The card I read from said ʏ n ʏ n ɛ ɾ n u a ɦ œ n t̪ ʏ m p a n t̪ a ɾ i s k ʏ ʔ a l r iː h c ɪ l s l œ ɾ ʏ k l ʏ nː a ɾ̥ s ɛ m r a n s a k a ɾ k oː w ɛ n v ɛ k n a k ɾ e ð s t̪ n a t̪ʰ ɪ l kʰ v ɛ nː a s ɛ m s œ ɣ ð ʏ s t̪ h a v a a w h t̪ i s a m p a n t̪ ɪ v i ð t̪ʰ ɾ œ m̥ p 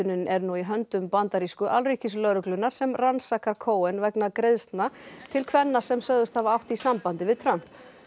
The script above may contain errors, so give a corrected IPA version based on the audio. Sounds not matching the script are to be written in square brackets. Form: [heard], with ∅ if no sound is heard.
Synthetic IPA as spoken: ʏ n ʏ n ɛ ɾ n u [i] ɦ œ n t̪ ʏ m p a n t̪ a ɾ i s k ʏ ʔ a l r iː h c ɪ [∅] s l œ ɾ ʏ k l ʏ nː a ɾ̥ s ɛ m r a n s a k a ɾ [kʰ] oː w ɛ n v ɛ k n a k ɾ e ð s t̪ n a t̪ʰ ɪ l kʰ v ɛ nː a s ɛ m s œ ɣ ð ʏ s t̪ h a v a a w h t̪ i s a m p a n t̪ ɪ v [ɪ] ð t̪ʰ ɾ œ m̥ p